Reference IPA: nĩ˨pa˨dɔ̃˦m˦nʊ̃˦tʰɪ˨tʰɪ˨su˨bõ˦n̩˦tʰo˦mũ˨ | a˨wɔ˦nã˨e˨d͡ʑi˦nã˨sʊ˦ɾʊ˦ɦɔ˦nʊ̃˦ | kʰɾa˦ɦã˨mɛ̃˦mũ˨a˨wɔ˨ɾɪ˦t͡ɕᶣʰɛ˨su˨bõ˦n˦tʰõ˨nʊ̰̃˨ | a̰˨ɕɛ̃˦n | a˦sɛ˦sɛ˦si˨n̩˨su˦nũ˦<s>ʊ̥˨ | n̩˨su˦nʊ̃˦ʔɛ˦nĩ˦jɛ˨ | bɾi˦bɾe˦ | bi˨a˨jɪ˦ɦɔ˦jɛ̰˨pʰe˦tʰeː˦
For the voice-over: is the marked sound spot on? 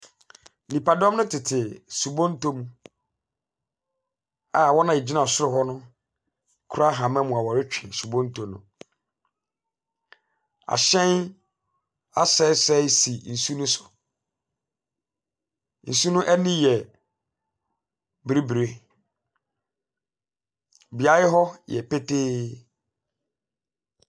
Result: yes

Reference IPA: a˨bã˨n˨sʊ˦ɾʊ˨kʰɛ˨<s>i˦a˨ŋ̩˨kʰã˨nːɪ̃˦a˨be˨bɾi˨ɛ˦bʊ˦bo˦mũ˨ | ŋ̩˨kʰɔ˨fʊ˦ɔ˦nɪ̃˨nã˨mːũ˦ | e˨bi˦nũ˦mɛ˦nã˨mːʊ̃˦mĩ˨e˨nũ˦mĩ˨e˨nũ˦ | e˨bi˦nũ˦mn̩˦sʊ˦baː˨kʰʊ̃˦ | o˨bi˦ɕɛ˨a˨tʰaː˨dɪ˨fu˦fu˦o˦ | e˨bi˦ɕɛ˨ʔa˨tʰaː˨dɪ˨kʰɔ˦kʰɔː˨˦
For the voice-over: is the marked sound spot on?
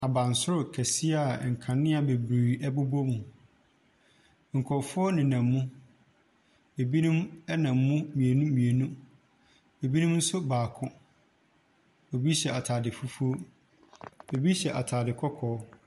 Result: yes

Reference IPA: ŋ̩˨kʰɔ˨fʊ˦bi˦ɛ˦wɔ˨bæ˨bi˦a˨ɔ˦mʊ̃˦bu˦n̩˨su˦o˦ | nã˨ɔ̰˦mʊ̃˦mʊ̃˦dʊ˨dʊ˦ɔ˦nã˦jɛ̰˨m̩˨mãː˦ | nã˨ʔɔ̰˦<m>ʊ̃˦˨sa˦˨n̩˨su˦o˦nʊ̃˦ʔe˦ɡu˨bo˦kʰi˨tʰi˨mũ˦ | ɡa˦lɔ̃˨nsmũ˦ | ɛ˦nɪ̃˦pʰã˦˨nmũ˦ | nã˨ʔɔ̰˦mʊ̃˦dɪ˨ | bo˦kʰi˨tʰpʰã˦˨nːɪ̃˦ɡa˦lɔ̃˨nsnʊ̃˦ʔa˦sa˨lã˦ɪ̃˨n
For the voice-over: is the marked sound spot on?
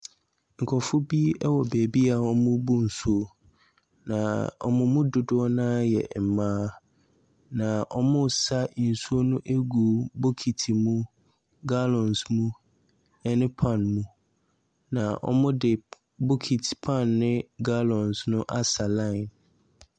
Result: yes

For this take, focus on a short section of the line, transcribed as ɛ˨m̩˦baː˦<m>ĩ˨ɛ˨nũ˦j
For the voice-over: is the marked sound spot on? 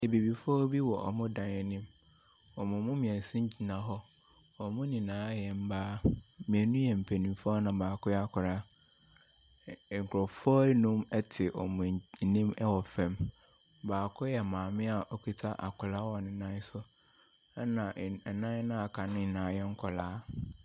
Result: yes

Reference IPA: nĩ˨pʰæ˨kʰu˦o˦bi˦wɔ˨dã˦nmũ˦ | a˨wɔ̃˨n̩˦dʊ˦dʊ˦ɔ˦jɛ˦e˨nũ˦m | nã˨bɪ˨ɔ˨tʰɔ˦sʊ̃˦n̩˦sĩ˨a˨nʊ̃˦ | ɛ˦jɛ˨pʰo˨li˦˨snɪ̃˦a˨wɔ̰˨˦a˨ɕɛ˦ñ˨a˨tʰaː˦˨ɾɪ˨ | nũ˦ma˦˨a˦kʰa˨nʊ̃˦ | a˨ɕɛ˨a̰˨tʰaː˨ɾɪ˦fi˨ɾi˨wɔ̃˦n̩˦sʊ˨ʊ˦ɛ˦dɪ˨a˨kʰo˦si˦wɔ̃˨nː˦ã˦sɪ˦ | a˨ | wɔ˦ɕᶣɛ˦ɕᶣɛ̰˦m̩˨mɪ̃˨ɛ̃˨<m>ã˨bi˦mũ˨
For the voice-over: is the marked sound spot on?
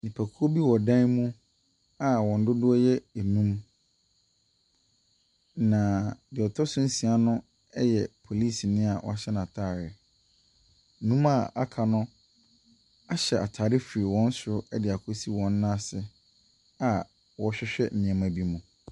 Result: yes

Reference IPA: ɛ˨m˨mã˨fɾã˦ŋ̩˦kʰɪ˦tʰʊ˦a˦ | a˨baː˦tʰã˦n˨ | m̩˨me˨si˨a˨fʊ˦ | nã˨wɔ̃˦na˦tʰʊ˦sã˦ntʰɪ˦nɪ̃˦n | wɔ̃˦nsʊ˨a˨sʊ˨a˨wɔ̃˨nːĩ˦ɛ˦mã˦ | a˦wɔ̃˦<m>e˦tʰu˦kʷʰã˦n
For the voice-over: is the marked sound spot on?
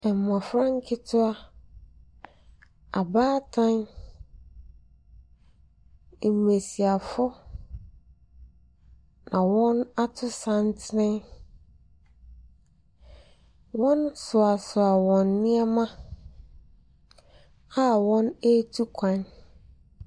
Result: no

